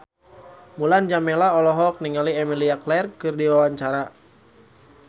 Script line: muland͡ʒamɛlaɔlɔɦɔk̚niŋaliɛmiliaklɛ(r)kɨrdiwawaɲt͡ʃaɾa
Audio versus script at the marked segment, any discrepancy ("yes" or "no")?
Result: no